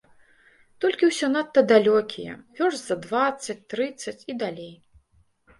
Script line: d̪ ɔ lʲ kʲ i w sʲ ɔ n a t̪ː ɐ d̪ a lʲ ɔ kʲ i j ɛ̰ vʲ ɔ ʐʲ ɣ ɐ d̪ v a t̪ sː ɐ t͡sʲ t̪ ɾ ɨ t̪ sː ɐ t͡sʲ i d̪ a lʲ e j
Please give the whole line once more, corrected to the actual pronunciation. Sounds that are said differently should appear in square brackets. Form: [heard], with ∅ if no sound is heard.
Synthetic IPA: [t̪] ɔ lʲ kʲ i w sʲ ɔ n a t̪ː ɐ d̪ a lʲ ɔ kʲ i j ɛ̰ vʲ ɔ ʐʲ [z] ɐ d̪ v a t̪ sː ɐ t͡sʲ t̪ ɾ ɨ t̪ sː ɐ t͡sʲ i d̪ a lʲ e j